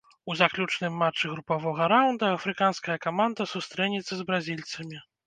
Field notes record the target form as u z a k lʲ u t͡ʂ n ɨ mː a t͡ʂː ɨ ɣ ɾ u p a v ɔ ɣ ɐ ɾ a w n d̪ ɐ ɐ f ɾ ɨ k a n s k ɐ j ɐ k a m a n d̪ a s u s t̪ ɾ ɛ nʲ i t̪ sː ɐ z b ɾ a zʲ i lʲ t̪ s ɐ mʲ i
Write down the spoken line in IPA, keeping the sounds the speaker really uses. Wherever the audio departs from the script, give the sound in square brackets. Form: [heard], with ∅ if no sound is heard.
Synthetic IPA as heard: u z a k lʲ u t͡ʂ n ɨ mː a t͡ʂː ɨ ɣ ɾ u p a v ɔ ɣ ɐ ɾ a w n d̪ ɐ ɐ f ɾ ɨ k a n s k ɐ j ɐ k a m a n d̪ [ɐ] s u s t̪ ɾ ɛ nʲ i t̪ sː ɐ z b ɾ a zʲ i lʲ t̪ s ɐ mʲ i